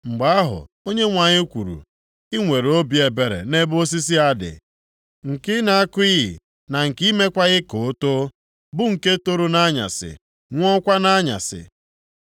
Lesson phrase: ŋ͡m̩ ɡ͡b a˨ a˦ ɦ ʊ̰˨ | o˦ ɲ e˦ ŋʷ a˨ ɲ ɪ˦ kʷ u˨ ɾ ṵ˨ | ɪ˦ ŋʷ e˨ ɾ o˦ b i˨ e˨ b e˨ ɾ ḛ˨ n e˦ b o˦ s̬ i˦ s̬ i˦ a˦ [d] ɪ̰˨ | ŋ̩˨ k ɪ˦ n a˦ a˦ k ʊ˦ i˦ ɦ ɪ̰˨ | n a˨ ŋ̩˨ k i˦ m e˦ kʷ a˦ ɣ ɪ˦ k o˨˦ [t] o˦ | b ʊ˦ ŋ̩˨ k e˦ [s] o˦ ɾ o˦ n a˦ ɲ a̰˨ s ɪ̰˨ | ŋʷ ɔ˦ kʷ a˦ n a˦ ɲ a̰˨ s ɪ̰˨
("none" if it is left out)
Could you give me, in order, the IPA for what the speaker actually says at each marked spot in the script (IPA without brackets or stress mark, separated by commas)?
d, t, t